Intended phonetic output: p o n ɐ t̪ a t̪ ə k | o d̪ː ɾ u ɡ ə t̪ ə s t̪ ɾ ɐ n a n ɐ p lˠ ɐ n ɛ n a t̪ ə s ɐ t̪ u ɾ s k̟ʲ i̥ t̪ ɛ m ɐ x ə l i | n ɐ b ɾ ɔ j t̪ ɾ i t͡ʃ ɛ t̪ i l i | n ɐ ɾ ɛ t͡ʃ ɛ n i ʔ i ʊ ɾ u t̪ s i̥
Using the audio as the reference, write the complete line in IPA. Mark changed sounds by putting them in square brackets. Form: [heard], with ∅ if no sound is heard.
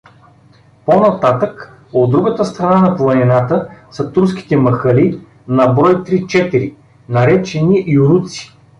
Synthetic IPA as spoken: p o n ɐ t̪ a t̪ ə k | o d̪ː ɾ u ɡ ə t̪ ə s t̪ ɾ ɐ n a n ɐ p lˠ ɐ n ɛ n a t̪ ə s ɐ t̪ u ɾ s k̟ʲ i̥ t̪ ɛ m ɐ x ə l i | n ɐ b ɾ ɔ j t̪ ɾ i t͡ʃ ɛ t̪ i [ɾ] i | n ɐ ɾ ɛ t͡ʃ ɛ n i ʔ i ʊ ɾ u t̪ s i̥